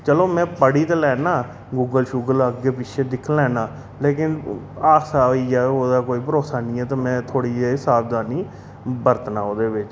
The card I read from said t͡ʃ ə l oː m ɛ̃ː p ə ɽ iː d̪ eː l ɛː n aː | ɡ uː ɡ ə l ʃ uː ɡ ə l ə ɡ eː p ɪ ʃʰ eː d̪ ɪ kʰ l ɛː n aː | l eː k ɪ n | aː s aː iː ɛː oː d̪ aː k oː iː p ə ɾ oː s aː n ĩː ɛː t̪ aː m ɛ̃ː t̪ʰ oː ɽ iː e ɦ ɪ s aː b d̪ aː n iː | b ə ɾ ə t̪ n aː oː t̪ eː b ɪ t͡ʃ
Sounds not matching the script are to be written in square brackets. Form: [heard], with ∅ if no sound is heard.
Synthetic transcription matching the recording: t͡ʃ ə l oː m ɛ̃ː p ə ɽ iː [t̪] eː l ɛː n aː | ɡ uː ɡ ə l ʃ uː ɡ ə l ə ɡ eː p ɪ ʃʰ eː d̪ ɪ kʰ l ɛː n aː | l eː k ɪ n | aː s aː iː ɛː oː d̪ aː k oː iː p ə ɾ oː s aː n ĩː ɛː t̪ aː m ɛ̃ː t̪ʰ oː ɽ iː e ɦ ɪ s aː b d̪ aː n iː | b ə ɾ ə t̪ n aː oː [d̪] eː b ɪ t͡ʃ